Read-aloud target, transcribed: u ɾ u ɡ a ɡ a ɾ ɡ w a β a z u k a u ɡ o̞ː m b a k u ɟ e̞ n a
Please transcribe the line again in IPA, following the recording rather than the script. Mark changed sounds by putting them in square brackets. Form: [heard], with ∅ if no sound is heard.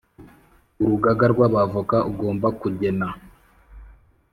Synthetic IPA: u ɾ u ɡ a ɡ a ɾ ɡ w a β a [v] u k a u ɡ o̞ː m b a k u ɟ e̞ n a